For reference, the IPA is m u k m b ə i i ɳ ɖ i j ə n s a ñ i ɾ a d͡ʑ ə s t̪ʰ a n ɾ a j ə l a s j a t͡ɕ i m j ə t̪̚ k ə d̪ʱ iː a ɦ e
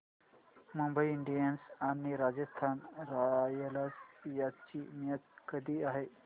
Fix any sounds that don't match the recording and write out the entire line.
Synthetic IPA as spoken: m u m b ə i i ɳ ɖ i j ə n s a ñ i ɾ a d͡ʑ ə s t̪ʰ a n ɾ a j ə l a s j a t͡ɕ i m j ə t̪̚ k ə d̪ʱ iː a ɦ e